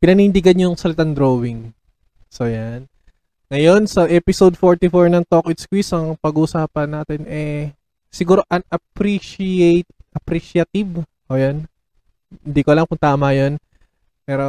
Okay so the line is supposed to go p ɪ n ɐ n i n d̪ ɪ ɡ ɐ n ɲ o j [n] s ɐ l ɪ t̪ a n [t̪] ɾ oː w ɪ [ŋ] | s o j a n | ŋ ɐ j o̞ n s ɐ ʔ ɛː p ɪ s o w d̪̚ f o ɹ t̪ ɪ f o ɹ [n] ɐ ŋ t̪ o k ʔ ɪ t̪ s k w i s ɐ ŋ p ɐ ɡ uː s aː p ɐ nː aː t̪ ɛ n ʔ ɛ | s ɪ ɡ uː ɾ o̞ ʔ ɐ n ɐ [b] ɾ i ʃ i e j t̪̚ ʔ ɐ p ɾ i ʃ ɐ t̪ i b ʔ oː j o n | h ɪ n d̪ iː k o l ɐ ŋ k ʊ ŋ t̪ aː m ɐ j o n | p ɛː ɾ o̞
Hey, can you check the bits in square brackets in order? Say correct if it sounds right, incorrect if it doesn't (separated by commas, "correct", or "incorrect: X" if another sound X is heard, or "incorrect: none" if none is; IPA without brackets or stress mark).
incorrect: ŋ, incorrect: d̪, correct, correct, incorrect: p